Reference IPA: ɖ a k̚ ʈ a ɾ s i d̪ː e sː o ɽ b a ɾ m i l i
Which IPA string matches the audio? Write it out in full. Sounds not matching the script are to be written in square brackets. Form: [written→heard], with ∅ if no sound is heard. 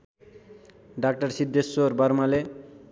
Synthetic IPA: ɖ a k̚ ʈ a ɾ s i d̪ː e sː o [ɽ→ɾ] b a ɾ m [i→a] l [i→e]